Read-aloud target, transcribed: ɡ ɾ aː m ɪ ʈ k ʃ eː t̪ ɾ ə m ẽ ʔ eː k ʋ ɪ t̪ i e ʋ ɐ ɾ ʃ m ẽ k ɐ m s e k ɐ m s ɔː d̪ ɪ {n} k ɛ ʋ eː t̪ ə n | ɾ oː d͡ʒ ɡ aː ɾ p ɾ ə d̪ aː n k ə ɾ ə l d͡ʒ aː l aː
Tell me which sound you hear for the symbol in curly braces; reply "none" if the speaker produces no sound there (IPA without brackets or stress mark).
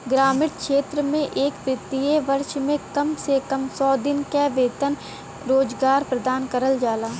n